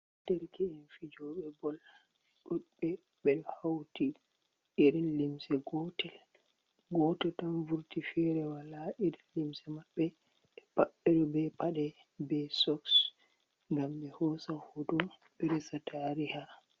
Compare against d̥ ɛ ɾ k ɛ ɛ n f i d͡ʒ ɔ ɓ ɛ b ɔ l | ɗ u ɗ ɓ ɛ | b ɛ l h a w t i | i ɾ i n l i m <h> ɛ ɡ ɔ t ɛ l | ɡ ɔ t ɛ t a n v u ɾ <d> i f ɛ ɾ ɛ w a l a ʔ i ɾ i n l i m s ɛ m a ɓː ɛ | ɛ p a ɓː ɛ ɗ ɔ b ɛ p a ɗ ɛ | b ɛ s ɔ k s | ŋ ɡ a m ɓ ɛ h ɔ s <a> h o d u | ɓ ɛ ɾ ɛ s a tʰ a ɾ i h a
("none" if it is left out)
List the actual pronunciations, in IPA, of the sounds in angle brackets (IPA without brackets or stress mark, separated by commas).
s, t, a